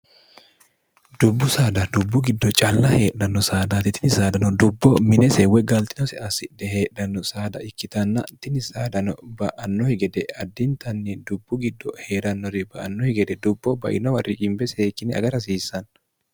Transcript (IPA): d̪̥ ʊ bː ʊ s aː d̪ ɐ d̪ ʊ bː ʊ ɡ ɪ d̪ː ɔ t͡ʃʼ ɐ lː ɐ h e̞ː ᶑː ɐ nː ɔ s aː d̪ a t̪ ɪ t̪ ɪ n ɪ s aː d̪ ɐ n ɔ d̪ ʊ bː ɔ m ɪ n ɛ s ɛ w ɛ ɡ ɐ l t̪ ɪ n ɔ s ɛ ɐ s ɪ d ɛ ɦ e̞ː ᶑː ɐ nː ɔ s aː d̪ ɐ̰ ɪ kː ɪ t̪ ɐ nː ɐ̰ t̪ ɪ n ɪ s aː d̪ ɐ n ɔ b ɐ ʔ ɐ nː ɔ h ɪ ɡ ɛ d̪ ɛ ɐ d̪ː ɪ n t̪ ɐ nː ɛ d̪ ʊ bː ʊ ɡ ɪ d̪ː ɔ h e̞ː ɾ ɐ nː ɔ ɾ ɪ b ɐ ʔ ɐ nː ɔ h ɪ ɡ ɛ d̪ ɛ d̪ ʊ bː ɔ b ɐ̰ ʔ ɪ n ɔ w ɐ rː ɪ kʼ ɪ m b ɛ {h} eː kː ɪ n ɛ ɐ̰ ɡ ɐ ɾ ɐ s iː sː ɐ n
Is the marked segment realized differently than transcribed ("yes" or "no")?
yes